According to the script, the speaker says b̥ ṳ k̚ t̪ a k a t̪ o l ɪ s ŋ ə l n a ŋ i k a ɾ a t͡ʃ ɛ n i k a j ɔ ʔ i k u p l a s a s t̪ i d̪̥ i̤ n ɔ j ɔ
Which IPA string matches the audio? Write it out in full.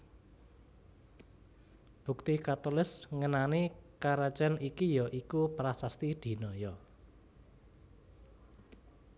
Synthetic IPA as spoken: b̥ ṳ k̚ t̪ i k a t̪ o l ɪ s ŋ ə n a n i k a ɾ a t͡ʃ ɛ n i k i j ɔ ʔ i k u p ɾ a s a s t̪ i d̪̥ i̤ n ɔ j ɔ